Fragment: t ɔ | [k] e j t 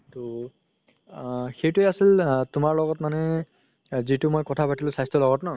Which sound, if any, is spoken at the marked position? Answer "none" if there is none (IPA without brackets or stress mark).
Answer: x